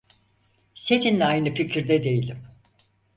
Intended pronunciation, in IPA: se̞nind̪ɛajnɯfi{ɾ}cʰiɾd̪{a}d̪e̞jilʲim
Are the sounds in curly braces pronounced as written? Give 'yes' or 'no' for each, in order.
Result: no, no

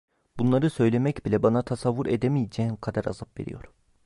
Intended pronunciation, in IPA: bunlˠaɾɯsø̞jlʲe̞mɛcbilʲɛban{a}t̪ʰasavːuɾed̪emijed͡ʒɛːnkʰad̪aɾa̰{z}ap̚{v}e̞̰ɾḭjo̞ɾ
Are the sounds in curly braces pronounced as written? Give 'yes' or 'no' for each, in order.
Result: yes, yes, yes

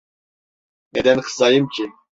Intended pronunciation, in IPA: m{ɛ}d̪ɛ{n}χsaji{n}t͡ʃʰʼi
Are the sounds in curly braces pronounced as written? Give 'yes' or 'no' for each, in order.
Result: yes, yes, no

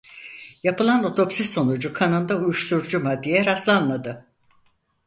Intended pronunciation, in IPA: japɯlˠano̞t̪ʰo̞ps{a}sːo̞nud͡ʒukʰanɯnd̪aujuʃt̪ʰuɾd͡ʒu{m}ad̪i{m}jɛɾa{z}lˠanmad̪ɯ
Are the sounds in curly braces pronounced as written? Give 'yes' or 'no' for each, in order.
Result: no, yes, no, no

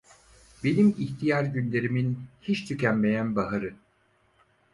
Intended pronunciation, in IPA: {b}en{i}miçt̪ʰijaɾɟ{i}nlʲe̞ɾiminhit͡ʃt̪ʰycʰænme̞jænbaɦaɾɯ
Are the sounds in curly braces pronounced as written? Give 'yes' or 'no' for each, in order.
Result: yes, yes, no

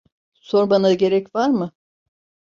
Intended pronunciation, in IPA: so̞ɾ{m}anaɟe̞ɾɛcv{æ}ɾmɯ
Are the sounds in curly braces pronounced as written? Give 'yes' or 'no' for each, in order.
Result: no, no

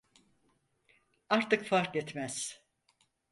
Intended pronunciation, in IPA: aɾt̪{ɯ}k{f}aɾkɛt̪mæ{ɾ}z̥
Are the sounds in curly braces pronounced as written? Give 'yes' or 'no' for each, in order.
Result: yes, yes, no

